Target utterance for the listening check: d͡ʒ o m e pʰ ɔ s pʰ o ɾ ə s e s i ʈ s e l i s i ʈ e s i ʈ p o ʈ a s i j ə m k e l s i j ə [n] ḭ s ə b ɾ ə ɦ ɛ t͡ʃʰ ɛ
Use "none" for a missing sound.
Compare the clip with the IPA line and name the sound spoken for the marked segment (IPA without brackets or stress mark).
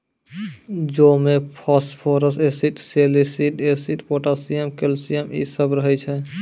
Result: m